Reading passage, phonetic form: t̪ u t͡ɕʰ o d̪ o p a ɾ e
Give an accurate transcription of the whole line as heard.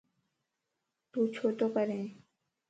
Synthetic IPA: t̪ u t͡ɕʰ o t̪ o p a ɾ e

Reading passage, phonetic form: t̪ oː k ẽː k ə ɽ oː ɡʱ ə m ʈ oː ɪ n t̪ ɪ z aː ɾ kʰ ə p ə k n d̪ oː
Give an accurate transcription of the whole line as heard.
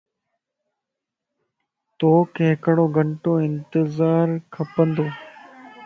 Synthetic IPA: t̪ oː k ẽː k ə ɽ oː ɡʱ ə ɳ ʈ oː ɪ n t̪ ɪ z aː ɾ kʰ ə p ə n d̪ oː

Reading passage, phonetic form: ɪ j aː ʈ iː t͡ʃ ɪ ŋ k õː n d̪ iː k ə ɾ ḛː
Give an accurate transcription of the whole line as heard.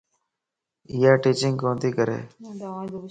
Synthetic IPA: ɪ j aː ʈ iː t͡ʃ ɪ ŋ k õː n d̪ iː k ə ɾ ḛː

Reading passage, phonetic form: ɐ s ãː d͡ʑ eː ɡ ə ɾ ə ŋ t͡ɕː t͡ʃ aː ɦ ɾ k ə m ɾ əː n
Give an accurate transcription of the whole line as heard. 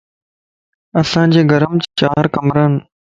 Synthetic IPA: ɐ s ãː d͡ʑ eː ɡ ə ɾ ə m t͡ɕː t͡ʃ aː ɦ ɾ k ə m ɾ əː n

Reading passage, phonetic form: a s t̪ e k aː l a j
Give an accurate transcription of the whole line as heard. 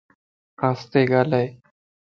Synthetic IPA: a s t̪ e ɡ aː l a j

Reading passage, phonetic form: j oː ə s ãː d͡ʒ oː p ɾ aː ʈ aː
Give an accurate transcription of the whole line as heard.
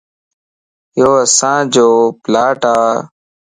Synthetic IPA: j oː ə s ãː d͡ʒ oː p l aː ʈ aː

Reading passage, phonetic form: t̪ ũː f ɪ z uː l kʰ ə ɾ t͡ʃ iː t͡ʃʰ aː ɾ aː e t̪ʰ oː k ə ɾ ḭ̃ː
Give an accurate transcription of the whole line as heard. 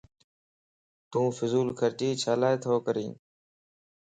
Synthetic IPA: t̪ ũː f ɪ z uː l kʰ ə ɾ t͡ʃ iː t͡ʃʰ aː l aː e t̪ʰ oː k ə ɾ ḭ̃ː

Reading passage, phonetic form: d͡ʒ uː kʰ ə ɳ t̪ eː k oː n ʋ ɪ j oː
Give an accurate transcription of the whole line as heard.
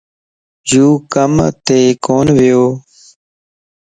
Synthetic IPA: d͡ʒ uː k ə m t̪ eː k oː n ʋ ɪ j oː

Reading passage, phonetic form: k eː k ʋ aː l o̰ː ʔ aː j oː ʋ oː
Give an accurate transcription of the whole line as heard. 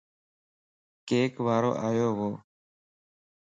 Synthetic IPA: k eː k ʋ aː ɾ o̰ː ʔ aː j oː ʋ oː

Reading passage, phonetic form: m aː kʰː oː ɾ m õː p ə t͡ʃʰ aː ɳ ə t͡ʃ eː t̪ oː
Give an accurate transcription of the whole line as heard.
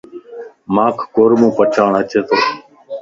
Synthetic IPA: m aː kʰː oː ɾ m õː p ə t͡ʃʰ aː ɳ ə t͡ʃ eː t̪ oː

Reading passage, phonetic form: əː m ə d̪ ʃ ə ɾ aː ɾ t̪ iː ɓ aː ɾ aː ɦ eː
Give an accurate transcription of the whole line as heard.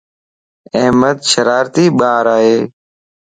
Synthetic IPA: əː m ə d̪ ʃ ə ɾ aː ɾ t̪ iː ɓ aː ɾ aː ɦ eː

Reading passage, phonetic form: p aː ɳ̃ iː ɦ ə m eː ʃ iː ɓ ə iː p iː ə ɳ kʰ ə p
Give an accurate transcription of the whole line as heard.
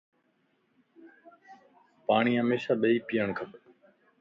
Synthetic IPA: p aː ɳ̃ iː ɦ ə m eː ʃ aː ɓ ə iː p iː ə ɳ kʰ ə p

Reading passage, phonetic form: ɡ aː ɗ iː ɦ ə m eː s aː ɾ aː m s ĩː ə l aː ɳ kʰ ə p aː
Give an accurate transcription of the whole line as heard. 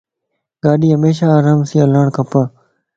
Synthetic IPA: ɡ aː ɗ iː ɦ ə m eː ʃ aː ɾ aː m s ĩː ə l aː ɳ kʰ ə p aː

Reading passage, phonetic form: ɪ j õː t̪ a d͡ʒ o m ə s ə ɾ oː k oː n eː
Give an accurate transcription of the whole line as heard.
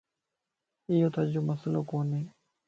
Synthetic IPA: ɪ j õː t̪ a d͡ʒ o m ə s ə l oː k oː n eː

